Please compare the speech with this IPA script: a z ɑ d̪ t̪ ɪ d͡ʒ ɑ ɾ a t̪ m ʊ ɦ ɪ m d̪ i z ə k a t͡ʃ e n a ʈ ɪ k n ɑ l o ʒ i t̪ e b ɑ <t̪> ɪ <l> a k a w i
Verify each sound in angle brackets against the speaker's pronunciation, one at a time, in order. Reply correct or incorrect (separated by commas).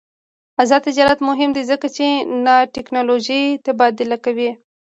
incorrect, correct